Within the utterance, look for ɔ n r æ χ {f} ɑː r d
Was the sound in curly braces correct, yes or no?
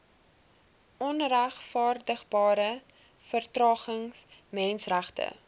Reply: yes